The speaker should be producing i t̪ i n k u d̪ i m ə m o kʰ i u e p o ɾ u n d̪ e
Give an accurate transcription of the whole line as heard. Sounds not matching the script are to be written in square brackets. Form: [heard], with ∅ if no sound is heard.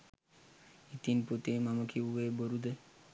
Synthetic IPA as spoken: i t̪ i n [p] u [t̪] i m [a] m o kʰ i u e [b] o ɾ u [∅] d̪ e